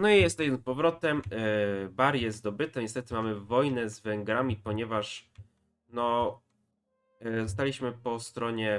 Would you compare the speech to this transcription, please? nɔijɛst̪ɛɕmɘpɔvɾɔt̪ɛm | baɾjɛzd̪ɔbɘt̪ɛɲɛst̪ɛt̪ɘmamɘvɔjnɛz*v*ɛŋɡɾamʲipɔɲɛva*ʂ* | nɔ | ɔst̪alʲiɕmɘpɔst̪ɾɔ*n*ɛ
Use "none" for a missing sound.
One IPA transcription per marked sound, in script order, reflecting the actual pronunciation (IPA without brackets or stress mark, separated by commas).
v, ʂ, ɲ